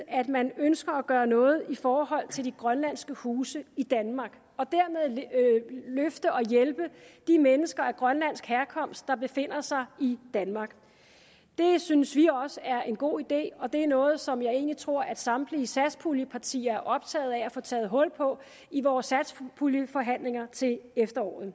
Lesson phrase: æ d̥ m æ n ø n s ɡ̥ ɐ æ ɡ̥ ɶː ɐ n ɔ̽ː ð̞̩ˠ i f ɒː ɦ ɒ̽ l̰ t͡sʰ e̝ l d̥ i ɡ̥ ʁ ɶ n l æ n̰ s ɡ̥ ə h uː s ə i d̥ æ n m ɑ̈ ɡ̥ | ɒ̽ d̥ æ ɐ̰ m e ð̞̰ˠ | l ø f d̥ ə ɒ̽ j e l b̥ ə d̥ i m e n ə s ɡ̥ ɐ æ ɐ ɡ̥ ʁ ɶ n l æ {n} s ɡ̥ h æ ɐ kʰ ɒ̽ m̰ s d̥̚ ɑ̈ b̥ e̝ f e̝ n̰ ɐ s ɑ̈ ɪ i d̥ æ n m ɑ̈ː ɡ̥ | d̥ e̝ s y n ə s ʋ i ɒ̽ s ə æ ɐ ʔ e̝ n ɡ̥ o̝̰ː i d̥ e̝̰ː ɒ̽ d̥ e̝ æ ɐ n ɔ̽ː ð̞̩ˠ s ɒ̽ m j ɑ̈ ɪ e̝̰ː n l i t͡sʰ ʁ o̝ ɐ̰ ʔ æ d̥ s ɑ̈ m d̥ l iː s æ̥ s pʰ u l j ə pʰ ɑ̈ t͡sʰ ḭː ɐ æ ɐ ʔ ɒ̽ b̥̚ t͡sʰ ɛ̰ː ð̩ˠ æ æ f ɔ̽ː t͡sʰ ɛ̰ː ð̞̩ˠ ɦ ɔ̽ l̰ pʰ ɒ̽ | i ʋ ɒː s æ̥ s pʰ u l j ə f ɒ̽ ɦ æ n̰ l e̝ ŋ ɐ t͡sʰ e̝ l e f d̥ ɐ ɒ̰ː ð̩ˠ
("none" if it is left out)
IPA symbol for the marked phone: n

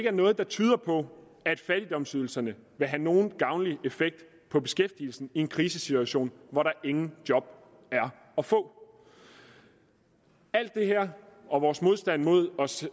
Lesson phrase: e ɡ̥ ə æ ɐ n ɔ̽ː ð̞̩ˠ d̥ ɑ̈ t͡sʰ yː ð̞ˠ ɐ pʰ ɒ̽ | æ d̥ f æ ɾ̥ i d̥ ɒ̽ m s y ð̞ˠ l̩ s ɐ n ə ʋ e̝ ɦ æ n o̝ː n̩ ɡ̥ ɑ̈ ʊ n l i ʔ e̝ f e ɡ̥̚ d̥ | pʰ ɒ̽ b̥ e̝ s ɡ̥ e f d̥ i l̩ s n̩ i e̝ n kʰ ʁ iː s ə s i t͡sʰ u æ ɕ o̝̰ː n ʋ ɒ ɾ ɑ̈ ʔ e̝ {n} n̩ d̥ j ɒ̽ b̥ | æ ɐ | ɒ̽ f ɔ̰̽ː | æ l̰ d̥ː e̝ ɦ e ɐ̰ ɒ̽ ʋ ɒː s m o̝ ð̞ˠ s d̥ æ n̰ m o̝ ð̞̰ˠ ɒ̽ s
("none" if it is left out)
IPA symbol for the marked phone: ŋ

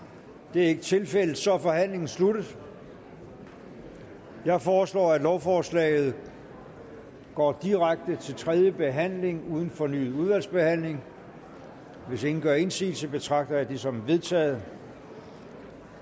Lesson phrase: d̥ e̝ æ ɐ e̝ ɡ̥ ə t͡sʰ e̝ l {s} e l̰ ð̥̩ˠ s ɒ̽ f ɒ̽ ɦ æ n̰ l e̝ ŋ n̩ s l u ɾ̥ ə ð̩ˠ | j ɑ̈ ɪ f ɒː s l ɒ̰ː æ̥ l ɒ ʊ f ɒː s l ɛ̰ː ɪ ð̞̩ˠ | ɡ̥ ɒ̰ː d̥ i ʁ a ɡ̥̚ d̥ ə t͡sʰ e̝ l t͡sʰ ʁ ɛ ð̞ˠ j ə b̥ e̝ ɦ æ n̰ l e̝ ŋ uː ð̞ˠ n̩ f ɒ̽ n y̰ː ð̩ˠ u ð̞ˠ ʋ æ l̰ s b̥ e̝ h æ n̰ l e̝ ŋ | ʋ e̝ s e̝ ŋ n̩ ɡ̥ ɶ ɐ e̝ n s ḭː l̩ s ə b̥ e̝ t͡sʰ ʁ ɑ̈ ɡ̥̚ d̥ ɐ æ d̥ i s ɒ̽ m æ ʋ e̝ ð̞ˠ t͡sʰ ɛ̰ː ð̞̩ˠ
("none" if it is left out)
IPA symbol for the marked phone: f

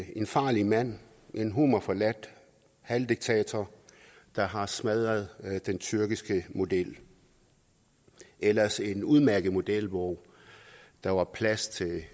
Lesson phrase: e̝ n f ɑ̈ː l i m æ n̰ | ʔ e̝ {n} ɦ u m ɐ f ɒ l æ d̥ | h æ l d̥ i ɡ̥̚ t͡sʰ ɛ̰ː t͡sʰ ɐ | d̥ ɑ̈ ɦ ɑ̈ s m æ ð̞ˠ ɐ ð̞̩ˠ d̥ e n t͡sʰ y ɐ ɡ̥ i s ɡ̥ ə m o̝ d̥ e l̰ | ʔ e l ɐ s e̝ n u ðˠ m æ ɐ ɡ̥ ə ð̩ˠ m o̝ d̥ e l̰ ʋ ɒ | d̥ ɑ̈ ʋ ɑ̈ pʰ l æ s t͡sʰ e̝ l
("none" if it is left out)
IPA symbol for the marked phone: n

